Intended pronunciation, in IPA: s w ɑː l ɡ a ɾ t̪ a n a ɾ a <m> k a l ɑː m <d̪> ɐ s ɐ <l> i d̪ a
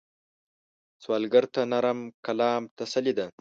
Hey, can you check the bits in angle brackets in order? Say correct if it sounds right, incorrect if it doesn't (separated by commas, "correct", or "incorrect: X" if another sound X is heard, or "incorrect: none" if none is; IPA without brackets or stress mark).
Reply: correct, incorrect: t̪, correct